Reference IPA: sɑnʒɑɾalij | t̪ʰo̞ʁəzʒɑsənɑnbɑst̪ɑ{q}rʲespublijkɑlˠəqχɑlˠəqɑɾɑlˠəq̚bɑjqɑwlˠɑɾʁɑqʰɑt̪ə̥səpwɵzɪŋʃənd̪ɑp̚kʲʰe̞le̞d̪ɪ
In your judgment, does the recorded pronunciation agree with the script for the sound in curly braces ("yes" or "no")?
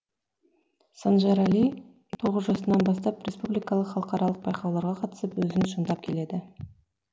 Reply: no